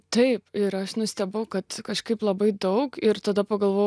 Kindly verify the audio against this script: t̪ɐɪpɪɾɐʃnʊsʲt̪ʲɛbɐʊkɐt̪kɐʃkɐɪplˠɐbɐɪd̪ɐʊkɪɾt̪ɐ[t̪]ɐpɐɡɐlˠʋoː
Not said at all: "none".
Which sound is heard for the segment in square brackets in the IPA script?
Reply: d̪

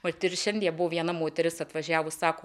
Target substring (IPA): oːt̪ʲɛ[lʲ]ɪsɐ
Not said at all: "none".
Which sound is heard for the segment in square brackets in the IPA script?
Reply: ɾʲ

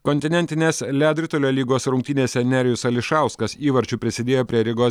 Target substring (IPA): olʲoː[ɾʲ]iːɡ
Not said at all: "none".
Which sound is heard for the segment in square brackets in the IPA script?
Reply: lʲ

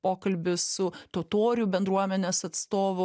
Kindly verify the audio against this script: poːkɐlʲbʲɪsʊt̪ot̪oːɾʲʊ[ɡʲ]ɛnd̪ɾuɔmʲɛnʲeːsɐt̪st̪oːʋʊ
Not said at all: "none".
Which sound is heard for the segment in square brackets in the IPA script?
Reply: bʲ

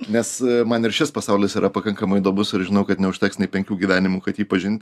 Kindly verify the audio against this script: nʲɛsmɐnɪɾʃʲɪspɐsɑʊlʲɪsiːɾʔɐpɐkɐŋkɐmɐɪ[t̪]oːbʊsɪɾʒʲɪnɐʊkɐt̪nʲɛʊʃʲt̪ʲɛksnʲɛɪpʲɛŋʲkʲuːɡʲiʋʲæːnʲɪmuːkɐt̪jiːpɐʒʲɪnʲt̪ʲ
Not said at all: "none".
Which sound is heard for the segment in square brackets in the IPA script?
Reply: d̪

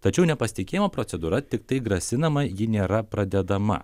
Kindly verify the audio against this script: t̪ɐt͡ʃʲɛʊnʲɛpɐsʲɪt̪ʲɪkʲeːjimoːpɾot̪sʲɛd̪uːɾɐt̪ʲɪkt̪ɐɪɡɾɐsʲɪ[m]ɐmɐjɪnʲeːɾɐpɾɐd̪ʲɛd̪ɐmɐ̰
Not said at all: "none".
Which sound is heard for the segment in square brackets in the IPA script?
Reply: n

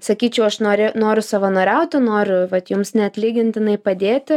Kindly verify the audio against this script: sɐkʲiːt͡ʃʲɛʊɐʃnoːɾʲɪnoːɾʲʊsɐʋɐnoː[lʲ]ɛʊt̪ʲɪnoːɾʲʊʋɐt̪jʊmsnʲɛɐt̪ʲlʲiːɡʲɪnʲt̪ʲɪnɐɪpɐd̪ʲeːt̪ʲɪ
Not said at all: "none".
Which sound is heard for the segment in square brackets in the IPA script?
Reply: ɾʲ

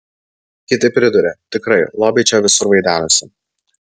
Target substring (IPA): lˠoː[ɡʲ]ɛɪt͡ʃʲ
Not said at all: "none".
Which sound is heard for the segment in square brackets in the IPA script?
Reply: bʲ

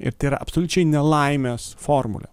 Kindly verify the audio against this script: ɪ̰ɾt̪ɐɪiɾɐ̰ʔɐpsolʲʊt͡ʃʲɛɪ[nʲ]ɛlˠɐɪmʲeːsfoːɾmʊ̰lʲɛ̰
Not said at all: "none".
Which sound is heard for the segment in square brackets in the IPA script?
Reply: nʲ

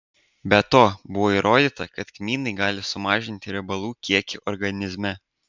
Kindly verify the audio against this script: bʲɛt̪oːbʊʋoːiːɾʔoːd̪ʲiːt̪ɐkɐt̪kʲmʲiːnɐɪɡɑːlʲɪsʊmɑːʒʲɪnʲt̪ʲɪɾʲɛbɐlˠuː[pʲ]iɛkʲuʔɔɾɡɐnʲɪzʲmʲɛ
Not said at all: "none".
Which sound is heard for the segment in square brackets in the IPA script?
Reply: kʲ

